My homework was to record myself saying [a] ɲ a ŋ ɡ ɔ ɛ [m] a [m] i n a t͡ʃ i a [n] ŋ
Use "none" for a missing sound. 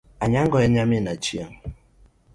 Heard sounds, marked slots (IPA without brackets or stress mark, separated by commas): a, ɲ, m, none